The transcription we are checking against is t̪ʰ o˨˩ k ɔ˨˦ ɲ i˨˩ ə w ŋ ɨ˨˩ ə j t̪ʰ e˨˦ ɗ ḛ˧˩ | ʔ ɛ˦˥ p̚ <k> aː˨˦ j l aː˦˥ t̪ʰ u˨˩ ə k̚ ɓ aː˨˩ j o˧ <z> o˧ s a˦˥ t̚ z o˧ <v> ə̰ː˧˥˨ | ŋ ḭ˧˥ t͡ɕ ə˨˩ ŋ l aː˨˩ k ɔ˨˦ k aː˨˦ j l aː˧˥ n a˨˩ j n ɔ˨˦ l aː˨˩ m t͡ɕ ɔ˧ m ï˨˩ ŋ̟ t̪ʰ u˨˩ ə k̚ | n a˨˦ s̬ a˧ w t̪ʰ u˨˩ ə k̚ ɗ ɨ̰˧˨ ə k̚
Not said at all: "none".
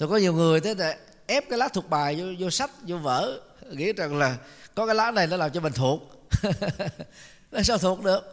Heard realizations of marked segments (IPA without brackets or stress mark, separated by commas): k, z, v